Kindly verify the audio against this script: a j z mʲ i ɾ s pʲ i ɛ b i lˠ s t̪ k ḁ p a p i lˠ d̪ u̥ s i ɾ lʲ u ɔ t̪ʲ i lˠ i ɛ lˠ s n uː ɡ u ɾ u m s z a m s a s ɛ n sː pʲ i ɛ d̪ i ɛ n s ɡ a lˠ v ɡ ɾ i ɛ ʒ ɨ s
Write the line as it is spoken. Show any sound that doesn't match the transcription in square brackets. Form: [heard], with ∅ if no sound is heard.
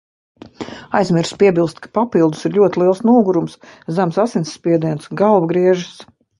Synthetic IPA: a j z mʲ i ɾ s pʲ i ɛ b i lˠ s t̪ k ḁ p a p i lˠ d̪ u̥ s i ɾ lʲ u ɔ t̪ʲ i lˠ i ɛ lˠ s n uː ɡ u ɾ u m s z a m s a s [i] n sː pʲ i ɛ d̪ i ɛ n s ɡ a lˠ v ɡ ɾ i ɛ ʒ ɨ s